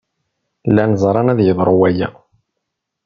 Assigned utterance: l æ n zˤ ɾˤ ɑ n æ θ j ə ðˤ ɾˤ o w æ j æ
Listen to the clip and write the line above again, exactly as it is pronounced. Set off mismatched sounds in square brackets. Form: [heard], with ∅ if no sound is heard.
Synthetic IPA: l æ n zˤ ɾˤ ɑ n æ [ð] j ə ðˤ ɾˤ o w æ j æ